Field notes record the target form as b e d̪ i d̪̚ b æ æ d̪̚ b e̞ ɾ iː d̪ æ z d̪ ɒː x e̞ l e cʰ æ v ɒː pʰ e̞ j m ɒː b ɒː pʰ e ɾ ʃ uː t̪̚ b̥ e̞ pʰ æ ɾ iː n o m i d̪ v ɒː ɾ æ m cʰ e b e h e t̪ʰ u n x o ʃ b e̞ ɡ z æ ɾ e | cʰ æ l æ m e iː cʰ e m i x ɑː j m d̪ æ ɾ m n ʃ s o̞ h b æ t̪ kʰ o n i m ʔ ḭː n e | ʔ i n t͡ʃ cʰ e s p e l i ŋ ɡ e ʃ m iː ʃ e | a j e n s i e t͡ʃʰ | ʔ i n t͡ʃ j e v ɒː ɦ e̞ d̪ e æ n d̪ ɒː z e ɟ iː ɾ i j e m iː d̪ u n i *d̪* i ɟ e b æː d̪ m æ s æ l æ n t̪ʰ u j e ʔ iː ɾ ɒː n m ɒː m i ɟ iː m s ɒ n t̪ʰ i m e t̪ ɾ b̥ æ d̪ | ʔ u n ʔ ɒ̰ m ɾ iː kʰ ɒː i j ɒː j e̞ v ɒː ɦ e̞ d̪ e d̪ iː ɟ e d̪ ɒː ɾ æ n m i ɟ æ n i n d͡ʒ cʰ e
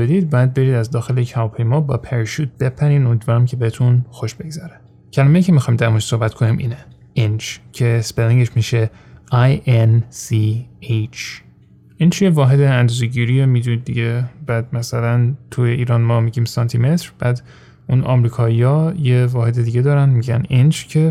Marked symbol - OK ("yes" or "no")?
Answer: no